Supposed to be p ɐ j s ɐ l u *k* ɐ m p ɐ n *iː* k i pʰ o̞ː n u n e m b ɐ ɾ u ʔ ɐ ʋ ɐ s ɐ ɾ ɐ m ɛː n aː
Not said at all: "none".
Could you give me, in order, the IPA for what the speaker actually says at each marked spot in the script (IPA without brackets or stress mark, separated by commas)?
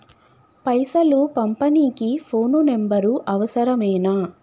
p, iː